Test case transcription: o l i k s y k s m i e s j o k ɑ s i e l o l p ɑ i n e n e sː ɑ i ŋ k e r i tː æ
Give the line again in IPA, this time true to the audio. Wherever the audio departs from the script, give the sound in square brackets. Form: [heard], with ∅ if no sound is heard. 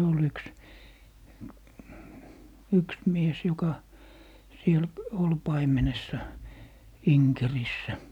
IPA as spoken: o l [y] k s y k s m i e s j o k ɑ s i e l o l p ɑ i [m] e n e sː ɑ i ŋ k e r i [sː] æ

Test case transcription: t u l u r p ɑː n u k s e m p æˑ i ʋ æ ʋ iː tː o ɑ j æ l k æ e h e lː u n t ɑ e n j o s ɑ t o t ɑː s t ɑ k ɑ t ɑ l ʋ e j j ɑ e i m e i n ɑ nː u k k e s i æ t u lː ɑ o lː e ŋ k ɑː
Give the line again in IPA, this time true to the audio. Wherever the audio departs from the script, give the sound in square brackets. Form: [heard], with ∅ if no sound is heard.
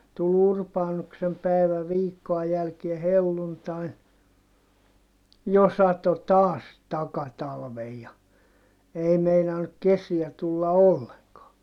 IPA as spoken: t u l u r p ɑː n u k s e m p æˑ i ʋ æ ʋ iː [kː] o ɑ j æ l k [i] e h e lː u n t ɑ [i] n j o s ɑ t o t ɑː s t ɑ k ɑ t ɑ l ʋ e j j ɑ e i m e i n ɑ nː u k k e s i æ t u lː ɑ o lː e ŋ k ɑː

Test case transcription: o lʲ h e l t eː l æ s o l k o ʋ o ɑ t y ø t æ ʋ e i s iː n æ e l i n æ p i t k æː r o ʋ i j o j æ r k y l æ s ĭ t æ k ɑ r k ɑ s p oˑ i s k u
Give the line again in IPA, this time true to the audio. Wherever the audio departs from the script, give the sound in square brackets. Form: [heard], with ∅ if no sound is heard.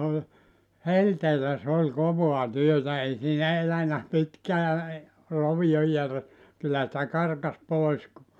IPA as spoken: o lʲ h e l t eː l æ s o l k o ʋ o ɑ t y ø t æ [∅] e i s iː n æ e l [æ] n æ p i t k æː r o ʋ i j o j æ r k y [lː] æ s ĭ t æ k ɑ r k ɑ s p oˑ i s k u

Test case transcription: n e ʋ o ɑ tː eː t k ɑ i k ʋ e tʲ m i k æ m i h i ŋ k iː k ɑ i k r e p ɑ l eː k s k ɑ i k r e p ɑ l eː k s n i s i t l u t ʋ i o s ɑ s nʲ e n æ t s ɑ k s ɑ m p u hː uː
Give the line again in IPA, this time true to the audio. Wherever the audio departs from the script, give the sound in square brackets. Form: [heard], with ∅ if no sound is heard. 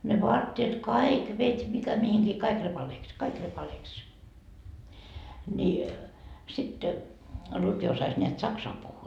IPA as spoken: n e ʋ o ɑ tː eː t k ɑ i k ʋ e tʲ m i k æ m i h i ŋ k iː k ɑ i k r e p ɑ l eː k s k ɑ i k r e p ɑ l eː k s n i s i t l u t ʋ i o s ɑ s nʲ e [∅] æ t s ɑ k s ɑ m p u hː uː

